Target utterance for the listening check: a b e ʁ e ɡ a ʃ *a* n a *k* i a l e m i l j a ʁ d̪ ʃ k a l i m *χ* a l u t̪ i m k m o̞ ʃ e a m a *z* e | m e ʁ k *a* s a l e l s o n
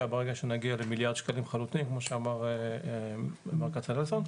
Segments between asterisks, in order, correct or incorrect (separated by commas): incorrect, incorrect, correct, incorrect, correct